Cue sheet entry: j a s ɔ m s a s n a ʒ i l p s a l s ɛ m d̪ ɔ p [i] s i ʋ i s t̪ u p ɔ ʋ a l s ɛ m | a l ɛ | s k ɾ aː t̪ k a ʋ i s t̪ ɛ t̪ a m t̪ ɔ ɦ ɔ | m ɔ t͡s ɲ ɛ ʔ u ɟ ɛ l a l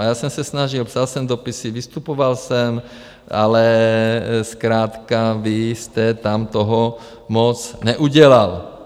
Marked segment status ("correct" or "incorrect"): correct